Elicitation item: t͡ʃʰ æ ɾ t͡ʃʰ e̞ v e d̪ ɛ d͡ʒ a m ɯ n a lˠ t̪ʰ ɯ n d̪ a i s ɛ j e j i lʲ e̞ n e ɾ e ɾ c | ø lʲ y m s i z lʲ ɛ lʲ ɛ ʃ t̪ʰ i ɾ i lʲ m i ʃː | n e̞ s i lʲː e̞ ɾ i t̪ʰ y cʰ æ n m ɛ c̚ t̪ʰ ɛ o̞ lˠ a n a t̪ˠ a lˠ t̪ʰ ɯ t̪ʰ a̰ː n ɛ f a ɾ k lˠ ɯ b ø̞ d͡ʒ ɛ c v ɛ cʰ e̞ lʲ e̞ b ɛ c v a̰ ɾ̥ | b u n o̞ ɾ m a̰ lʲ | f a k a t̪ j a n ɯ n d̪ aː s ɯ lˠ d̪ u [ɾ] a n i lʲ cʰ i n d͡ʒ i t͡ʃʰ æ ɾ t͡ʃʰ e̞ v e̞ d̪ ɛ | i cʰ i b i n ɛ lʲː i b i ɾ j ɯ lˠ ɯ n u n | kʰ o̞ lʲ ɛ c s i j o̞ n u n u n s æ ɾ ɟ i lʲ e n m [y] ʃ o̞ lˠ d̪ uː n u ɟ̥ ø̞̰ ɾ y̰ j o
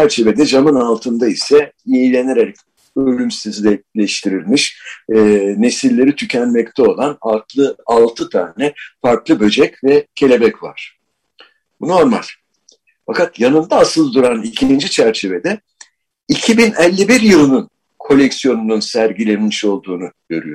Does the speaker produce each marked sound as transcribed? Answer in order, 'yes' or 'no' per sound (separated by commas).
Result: yes, no